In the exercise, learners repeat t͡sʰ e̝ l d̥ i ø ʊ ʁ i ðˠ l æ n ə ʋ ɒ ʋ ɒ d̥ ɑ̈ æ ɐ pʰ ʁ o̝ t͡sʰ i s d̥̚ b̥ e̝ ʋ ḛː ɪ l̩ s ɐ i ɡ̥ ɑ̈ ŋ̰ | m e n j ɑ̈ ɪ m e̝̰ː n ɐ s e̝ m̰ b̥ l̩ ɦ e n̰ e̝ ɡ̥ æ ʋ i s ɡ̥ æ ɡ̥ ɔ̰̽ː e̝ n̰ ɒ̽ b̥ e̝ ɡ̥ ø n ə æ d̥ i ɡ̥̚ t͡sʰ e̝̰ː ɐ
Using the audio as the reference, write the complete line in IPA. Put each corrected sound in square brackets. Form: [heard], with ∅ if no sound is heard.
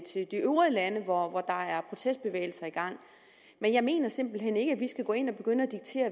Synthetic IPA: t͡sʰ e̝ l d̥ i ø ʊ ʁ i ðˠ l æ n ə ʋ ɒ ʋ ɒ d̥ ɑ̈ æ ɐ pʰ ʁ o̝ t͡sʰ [e] s d̥̚ b̥ e̝ ʋ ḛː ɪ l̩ s ɐ i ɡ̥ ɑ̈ ŋ̰ | m e n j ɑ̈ ɪ m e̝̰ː n ɐ s e̝ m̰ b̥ l̩ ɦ e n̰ e̝ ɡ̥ æ ʋ i s ɡ̥ æ ɡ̥ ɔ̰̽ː e̝ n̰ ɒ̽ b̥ e̝ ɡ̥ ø n ə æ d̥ i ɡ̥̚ t͡sʰ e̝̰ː ɐ